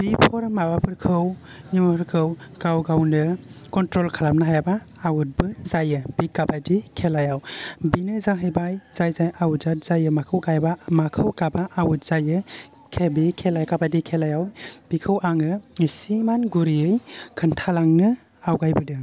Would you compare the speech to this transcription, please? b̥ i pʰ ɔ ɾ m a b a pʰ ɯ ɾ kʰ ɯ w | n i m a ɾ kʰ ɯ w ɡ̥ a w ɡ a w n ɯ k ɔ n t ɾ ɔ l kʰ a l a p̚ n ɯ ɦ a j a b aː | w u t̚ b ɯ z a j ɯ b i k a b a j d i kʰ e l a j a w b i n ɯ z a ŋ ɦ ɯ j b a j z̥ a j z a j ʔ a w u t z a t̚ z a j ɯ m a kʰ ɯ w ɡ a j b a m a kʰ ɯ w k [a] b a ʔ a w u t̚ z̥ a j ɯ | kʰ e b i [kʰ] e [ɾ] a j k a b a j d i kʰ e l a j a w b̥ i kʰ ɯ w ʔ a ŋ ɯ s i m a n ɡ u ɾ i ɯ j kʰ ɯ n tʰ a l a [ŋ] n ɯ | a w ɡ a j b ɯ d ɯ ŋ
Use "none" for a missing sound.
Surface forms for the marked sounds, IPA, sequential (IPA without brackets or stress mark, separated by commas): a, kʰ, l, ŋ